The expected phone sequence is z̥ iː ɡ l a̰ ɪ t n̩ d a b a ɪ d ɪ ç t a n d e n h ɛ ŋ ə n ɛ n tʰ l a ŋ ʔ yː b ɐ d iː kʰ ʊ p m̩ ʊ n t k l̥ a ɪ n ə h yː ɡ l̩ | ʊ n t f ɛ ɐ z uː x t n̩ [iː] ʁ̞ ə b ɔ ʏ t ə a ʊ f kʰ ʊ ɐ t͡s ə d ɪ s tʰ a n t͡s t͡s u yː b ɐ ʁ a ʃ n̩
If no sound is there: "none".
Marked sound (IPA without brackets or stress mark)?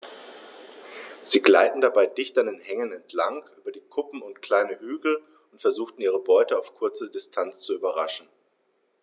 iː